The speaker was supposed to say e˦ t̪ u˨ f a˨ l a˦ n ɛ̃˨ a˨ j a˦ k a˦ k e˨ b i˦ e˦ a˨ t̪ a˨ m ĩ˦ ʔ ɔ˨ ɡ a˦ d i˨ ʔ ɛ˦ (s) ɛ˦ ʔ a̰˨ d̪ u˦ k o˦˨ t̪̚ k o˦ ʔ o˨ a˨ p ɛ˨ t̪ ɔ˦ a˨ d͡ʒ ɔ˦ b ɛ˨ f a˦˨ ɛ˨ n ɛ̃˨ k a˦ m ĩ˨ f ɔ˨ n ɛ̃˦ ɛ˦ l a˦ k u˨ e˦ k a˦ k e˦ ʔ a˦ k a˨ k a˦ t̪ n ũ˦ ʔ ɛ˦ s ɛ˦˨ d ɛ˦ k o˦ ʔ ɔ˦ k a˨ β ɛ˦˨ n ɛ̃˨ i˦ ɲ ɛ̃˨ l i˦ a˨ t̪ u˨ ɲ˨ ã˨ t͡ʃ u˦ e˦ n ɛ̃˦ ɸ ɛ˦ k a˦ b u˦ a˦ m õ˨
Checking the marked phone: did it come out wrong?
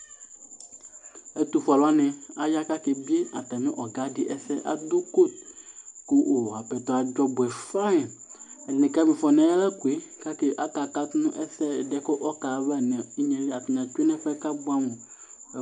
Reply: no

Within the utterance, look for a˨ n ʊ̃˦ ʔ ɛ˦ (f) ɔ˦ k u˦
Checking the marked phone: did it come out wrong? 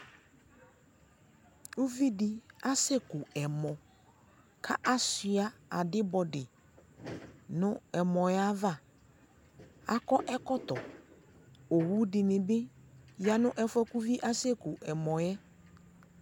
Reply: no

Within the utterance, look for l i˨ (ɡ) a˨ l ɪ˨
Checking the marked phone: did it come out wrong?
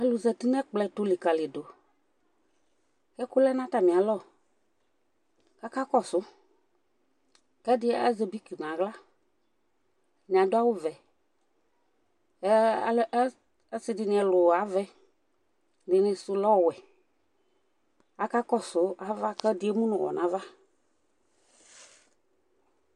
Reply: yes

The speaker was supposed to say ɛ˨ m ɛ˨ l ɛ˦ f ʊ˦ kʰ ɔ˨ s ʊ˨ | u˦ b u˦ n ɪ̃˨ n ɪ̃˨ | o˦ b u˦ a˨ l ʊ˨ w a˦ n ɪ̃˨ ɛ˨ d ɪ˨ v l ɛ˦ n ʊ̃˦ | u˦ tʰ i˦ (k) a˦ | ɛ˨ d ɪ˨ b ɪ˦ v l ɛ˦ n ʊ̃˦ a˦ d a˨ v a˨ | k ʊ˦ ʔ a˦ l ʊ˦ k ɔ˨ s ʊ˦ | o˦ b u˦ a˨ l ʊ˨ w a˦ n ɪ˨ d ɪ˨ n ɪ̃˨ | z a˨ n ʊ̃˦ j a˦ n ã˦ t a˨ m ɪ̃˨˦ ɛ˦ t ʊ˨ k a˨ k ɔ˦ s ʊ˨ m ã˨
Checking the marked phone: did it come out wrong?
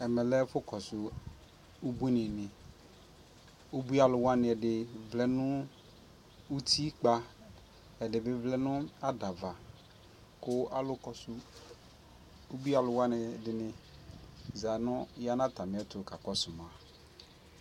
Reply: yes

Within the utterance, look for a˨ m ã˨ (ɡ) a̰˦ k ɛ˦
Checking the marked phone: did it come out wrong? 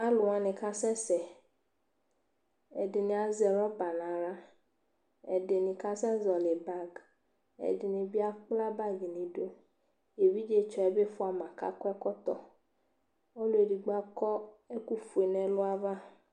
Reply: yes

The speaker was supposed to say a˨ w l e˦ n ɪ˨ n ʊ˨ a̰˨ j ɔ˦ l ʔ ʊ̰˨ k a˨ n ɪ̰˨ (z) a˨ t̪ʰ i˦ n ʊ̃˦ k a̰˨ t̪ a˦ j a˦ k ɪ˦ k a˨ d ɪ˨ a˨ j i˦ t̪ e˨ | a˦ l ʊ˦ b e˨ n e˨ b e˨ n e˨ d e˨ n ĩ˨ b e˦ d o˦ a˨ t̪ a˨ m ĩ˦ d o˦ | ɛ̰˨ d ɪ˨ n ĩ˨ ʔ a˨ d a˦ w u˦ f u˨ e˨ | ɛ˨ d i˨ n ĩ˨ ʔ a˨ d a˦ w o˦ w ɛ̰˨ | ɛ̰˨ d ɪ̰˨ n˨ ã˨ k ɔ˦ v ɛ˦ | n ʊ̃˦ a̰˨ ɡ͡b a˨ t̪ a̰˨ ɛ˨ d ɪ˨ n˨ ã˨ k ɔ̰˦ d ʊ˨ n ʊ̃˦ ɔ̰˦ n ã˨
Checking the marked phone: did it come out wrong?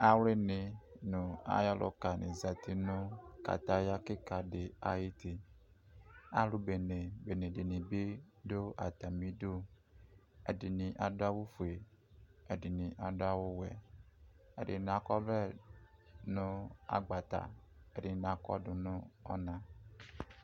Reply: no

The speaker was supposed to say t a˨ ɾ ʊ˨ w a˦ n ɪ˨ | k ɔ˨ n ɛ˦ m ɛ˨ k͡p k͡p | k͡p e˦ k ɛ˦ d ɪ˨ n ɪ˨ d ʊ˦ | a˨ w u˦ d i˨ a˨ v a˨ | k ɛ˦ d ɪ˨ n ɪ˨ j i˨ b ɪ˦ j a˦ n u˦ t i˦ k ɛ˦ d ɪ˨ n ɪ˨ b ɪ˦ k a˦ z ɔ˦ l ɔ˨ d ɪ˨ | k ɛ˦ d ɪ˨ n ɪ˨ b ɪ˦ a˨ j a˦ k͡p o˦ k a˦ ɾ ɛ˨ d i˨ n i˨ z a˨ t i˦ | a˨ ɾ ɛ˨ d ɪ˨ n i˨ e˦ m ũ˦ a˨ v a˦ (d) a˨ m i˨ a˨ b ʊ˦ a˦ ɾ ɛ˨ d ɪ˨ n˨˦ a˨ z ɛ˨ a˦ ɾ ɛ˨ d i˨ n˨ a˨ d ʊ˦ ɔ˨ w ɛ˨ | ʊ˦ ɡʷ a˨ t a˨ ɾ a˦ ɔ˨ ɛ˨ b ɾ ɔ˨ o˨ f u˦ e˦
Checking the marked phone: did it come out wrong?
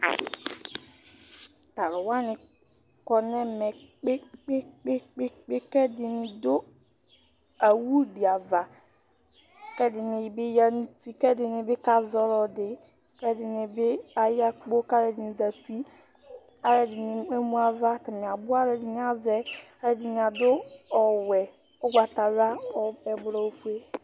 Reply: yes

